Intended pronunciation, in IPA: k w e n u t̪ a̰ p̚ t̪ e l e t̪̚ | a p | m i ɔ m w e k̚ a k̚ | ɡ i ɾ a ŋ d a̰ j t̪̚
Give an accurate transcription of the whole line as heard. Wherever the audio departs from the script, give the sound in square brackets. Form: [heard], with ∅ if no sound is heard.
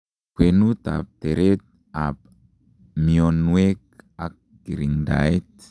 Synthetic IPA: k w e n u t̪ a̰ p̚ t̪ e [ɾ] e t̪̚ | a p | m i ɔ [n] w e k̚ a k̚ | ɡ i ɾ [i] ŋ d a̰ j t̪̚